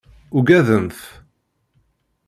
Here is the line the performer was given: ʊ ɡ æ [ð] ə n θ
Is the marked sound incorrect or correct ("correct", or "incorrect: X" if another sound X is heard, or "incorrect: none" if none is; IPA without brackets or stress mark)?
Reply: correct